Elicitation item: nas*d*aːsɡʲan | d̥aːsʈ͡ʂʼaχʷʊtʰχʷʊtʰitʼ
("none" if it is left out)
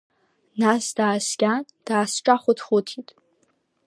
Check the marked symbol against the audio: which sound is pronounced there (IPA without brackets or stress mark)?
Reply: d